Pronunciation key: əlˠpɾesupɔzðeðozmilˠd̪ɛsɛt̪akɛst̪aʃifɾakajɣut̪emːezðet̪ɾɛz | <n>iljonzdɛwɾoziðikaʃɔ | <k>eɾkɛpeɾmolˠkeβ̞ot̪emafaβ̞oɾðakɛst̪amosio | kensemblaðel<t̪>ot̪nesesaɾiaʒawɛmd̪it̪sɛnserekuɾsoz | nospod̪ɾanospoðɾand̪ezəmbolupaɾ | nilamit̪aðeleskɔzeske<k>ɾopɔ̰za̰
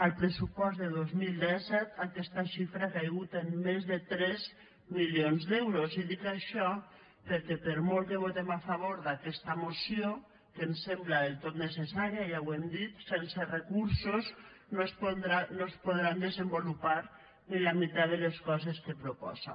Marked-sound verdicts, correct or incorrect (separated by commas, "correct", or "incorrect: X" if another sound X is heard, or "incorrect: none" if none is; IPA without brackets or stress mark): incorrect: m, incorrect: p, correct, incorrect: p